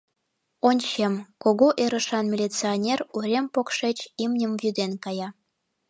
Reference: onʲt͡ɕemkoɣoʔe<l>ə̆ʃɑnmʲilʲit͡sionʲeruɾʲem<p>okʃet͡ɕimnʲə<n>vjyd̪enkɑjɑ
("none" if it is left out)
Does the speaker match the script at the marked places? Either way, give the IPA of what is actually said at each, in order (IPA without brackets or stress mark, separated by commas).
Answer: ɾ, p, m